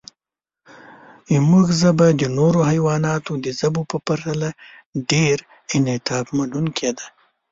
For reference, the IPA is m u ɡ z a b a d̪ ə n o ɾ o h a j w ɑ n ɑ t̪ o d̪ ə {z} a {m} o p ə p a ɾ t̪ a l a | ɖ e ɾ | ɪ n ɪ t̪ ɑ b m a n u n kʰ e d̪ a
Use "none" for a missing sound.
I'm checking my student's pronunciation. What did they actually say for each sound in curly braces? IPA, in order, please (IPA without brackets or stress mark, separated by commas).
z, b